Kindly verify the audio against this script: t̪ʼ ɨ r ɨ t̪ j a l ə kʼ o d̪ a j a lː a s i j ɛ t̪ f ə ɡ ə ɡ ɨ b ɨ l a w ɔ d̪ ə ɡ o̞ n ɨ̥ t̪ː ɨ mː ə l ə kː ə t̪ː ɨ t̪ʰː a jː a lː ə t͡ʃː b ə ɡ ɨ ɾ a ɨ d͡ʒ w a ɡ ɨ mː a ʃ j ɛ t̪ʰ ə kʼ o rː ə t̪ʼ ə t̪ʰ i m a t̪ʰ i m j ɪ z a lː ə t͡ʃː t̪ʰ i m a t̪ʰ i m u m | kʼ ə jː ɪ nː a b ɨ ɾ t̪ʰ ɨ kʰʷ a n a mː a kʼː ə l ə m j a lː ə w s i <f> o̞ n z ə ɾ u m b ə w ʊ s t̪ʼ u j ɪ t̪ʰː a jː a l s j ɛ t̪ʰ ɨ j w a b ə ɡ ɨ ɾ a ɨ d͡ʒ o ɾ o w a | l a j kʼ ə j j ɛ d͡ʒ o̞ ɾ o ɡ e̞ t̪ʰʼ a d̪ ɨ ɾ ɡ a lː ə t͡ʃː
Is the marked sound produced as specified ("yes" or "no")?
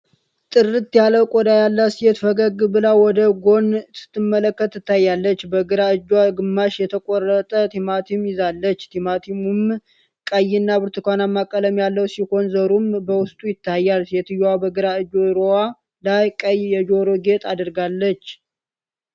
no